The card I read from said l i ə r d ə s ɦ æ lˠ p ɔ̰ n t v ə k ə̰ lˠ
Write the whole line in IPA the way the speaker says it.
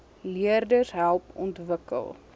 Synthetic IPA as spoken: l i ə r d ə s ɦ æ lˠ p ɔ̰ n t v ə k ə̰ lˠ